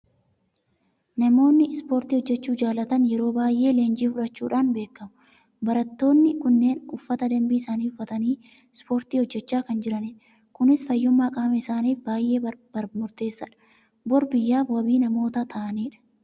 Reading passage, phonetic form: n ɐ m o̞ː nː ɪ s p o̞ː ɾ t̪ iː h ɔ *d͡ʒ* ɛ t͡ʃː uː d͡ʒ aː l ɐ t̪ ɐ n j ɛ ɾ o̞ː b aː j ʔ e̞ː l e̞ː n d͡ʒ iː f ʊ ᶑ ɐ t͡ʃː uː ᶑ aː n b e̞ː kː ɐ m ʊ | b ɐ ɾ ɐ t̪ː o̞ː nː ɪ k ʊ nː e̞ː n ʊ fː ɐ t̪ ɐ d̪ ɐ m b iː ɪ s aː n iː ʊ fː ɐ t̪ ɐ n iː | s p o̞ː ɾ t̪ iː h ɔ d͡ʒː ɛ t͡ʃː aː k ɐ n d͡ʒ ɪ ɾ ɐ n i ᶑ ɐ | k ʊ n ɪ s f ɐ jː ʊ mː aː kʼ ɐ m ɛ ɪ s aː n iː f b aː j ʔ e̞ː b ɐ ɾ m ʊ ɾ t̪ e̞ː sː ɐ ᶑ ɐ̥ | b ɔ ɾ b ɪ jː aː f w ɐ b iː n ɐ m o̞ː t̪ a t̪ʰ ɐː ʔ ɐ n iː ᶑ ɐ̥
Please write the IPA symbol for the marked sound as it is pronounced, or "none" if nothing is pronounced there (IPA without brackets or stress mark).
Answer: d͡ʒː